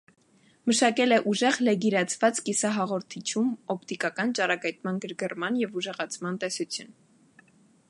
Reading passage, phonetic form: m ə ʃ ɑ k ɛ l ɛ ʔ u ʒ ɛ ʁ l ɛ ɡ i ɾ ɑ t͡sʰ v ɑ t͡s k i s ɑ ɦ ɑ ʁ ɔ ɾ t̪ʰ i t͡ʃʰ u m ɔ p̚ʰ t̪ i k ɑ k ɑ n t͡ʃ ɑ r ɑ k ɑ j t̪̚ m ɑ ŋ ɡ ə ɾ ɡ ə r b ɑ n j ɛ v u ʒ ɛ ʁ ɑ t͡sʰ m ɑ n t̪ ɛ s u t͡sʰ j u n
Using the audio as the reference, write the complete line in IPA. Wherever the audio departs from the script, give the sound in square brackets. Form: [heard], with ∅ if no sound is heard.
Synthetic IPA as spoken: m ə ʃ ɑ k ɛ l ɛ ʔ u ʒ ɛ ʁ l ɛ ɡ i ɾ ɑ t͡sʰ v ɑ t͡s k i s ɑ ɦ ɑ ʁ ɔ ɾ t̪ʰ i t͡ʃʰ u m ɔ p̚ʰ t̪ i k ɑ k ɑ n t͡ʃ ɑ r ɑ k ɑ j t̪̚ m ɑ [n] ɡ ə ɾ ɡ ə r [m] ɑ n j ɛ v u ʒ ɛ ʁ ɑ t͡sʰ m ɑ n t̪ ɛ s u t͡sʰ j u n